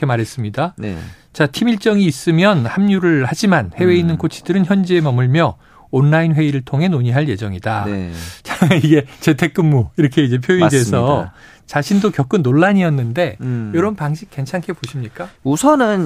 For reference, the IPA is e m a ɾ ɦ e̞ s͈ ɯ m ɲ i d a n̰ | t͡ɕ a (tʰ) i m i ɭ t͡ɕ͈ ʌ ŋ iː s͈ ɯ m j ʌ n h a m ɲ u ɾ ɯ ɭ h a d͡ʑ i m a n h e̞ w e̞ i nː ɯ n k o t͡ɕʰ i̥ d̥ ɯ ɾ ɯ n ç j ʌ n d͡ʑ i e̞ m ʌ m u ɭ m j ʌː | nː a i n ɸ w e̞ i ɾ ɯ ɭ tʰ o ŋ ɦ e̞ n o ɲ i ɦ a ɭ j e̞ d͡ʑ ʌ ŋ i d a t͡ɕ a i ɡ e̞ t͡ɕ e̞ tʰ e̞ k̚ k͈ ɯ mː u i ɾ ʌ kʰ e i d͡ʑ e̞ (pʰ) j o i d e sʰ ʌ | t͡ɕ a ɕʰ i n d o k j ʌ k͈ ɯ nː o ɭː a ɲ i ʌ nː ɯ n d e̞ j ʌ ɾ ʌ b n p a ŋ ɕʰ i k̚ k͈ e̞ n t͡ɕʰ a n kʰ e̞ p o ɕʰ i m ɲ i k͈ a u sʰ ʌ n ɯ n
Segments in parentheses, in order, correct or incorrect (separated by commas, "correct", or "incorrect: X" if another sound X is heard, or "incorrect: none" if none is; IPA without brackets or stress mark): correct, correct